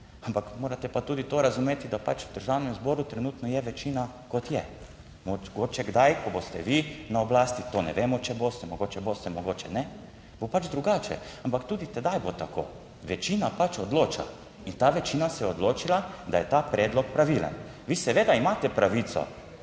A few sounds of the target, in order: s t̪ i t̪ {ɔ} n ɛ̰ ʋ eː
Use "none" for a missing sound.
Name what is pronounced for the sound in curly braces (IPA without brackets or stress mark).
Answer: o